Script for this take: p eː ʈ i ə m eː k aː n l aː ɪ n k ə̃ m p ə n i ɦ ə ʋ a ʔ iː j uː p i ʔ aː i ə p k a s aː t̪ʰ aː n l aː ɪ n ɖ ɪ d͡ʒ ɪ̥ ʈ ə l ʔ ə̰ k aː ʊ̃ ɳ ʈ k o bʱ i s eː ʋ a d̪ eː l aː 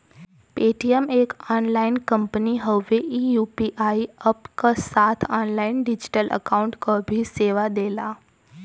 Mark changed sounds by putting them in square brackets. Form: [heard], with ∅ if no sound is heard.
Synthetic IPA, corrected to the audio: p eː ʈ i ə m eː k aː n l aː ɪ n k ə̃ m p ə n i ɦ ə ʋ [e] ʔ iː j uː p i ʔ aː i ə p k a s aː t̪ʰ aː n l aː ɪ n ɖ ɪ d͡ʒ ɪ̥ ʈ ə l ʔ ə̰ k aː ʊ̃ ɳ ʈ k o bʱ i s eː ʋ a d̪ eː l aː